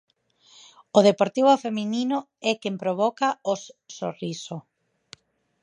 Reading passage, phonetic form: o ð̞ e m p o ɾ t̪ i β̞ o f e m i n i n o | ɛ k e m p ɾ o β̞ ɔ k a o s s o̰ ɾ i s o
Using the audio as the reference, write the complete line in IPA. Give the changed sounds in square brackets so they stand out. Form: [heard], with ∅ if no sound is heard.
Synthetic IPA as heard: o ð̞ e [∅] p o ɾ t̪ i β̞ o f e m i n i n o | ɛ k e m p ɾ o β̞ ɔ k a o s s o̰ [r] i s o